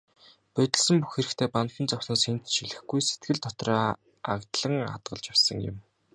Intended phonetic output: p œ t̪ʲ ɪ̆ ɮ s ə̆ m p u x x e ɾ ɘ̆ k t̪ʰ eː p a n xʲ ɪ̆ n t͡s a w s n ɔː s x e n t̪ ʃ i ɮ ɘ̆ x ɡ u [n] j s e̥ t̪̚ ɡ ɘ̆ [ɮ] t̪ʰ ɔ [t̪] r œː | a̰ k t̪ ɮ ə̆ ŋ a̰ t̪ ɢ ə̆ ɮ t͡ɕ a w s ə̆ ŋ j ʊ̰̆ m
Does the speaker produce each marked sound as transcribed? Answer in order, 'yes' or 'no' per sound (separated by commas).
no, yes, yes